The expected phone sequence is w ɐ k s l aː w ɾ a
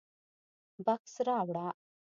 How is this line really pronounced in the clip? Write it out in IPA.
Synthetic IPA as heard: b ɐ k s ɾ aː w ɽ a